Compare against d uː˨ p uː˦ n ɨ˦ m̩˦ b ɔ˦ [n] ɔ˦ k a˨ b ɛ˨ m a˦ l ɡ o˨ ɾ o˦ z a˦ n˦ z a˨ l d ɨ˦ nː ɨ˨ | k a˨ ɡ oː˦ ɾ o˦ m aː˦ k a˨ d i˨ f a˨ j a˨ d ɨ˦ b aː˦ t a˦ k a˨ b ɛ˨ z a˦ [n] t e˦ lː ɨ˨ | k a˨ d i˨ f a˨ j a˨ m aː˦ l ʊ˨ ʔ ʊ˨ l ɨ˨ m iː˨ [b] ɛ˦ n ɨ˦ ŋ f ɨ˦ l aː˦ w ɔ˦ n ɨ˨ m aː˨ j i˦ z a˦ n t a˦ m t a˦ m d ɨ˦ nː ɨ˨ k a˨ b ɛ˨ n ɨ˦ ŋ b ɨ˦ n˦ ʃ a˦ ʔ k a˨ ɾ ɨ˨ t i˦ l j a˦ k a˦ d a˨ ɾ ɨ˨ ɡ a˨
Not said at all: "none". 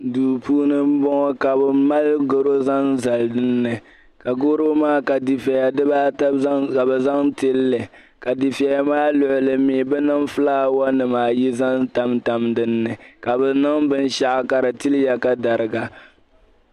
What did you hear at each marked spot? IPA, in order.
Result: ŋ, ŋ, b

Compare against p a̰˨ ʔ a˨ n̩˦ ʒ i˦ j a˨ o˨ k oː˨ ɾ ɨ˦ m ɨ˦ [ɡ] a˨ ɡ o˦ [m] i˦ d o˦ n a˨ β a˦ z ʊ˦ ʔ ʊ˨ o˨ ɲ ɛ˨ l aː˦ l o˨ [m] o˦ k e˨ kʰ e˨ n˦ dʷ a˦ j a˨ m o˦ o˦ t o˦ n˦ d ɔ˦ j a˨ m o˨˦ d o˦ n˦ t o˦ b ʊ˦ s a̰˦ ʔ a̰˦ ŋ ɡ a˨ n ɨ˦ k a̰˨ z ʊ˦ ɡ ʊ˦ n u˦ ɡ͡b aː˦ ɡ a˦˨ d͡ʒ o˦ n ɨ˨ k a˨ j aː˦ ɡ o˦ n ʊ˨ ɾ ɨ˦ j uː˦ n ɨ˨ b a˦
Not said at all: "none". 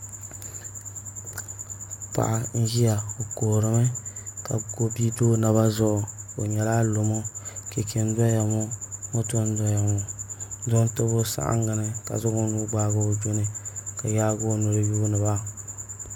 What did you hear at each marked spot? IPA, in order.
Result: k, b, m

